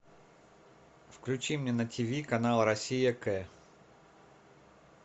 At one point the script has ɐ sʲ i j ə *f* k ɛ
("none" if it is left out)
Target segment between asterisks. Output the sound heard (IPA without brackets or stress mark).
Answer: none